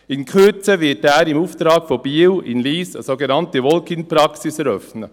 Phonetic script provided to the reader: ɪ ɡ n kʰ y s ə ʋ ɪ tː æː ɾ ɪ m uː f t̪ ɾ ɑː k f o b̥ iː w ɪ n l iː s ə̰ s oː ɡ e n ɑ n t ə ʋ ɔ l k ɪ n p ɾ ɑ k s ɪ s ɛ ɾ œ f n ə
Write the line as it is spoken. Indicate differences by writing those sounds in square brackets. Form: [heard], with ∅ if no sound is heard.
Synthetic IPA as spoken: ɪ [∅] n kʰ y [t͡s] ə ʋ ɪ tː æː ɾ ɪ m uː f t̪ ɾ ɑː k f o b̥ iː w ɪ n l iː s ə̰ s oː ɡ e n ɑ n t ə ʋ ɔ l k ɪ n p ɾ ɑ k s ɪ s ɛ ɾ œ f n ə